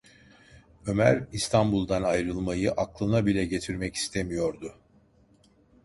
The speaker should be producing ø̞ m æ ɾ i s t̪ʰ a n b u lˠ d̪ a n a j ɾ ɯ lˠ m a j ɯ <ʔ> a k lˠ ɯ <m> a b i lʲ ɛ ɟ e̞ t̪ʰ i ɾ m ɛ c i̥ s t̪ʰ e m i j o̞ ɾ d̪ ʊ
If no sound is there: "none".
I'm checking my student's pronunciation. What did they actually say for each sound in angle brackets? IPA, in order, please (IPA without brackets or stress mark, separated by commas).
ʔ, n